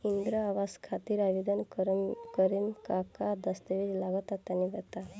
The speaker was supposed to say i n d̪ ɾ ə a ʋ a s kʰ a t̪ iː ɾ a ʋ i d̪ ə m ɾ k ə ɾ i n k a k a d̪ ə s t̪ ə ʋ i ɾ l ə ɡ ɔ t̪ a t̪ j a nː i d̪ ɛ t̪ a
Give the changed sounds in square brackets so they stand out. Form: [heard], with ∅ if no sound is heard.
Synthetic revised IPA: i n d̪ ɾ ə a ʋ a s kʰ a t̪ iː ɾ a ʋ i d̪ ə [n] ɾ k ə ɾ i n k a k a d̪ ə s t̪ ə ʋ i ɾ l [a] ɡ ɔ t̪ a t̪ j a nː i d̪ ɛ t̪ a